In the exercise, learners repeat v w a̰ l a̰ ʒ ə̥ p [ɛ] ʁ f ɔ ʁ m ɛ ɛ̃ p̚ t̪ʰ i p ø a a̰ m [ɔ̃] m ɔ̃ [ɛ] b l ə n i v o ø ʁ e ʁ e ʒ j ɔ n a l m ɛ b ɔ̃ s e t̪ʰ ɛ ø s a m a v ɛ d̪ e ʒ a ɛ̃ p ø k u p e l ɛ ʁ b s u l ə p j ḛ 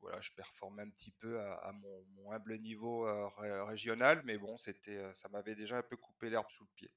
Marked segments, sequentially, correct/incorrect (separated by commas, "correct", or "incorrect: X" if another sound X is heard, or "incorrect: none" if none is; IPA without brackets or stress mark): correct, correct, incorrect: ɛ̃